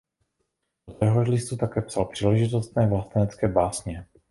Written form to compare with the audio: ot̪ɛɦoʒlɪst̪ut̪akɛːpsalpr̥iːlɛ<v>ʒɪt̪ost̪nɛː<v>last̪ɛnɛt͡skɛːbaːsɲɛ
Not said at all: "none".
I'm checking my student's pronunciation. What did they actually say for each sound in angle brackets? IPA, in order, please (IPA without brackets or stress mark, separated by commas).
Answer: none, v